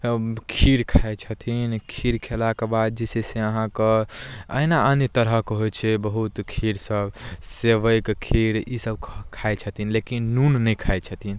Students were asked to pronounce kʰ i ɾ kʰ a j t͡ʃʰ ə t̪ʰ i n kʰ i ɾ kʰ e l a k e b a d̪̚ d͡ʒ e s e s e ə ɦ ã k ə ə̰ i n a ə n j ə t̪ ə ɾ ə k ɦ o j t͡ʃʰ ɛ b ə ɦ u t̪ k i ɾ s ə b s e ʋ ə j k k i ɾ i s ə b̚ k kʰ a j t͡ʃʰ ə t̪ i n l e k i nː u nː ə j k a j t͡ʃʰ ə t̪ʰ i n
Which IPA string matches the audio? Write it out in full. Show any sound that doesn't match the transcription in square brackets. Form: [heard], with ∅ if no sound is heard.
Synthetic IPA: kʰ i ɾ kʰ a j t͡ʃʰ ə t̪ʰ i n kʰ i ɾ kʰ e l a k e b a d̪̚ d͡ʒ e s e s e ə ɦ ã k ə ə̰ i n a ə n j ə t̪ ə ɾ ə k ɦ o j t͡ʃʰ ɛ b ə ɦ u t̪ [kʰ] i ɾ s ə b s e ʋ ə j k [kʰ] i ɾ i s ə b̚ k kʰ a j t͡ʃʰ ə t̪ i n l e k i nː u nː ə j [kʰ] a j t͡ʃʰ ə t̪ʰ i n